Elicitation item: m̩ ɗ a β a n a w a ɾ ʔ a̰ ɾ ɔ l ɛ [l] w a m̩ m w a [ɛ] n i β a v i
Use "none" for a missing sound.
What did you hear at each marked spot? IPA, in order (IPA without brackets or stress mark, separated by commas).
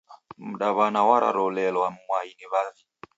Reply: l, i